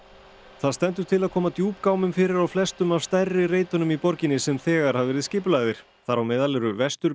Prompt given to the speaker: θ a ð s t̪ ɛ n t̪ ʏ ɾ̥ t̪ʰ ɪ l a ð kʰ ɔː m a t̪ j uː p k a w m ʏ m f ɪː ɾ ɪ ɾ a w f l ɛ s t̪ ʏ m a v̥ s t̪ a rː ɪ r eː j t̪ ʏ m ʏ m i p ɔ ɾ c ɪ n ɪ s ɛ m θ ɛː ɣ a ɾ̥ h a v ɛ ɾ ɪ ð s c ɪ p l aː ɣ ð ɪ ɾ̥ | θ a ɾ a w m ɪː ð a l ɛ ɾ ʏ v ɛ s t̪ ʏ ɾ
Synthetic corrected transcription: θ a ð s t̪ ɛ n t̪ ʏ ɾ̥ t̪ʰ ɪ l a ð kʰ ɔː m a t̪ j uː p k a w m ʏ m f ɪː ɾ ɪ ɾ a w f l ɛ s t̪ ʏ m a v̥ s t̪ a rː ɪ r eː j t̪ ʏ n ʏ m i p ɔ ɾ c ɪ n ɪ s ɛ m θ ɛː ɣ a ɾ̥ h a v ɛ ɾ ɪ ð s c ɪ p l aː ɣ ð ɪ ɾ̥ | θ a ɾ a w m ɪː ð a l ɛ ɾ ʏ v ɛ s t̪ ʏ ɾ